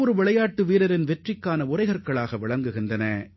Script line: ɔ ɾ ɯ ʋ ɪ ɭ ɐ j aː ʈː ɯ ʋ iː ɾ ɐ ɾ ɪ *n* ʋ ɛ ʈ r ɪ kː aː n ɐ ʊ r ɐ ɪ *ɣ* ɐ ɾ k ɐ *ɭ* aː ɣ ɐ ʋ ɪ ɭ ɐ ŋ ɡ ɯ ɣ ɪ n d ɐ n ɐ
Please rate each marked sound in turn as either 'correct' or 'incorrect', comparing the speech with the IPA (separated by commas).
correct, correct, correct